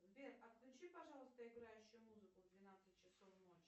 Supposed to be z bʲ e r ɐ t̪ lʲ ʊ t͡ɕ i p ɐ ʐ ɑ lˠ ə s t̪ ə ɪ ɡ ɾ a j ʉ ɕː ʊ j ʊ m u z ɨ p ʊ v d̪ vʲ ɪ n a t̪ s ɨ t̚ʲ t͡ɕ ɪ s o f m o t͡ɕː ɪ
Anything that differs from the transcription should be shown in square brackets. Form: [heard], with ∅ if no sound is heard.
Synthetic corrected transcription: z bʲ e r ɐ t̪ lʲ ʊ t͡ɕ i p ɐ ʐ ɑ lˠ ə s t̪ ə ɪ ɡ ɾ a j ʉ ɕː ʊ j ʊ m u z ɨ [k] ʊ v d̪ vʲ ɪ n a t̪ s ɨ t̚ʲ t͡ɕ ɪ s o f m o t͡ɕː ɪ